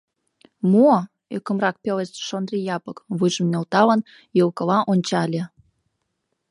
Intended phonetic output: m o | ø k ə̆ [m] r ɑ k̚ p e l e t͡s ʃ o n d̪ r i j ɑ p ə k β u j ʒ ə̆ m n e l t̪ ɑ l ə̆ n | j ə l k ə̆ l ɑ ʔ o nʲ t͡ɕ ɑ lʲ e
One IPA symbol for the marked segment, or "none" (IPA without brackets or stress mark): m